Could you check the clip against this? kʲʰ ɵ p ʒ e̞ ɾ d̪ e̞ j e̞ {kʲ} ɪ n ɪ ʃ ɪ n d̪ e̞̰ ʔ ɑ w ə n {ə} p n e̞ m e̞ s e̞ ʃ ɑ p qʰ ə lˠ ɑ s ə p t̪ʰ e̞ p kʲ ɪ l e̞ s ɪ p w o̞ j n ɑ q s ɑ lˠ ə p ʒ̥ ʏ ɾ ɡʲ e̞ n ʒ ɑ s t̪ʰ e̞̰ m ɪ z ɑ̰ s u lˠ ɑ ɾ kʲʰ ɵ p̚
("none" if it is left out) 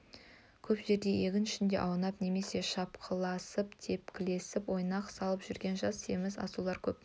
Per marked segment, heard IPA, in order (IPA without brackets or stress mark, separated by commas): ɡʲ, ɑ